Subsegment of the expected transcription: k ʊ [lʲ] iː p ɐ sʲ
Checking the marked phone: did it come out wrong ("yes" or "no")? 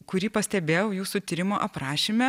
yes